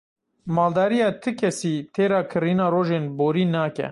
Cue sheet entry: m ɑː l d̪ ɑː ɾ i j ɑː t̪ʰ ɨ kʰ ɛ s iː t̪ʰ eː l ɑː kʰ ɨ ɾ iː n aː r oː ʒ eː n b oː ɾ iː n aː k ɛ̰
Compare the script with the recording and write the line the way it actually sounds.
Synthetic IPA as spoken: m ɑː l d̪ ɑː ɾ i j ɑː t̪ʰ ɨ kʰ ɛ s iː t̪ʰ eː ɾ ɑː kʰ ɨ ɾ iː n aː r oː ʒ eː n b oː ɾ iː n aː k ɛ̰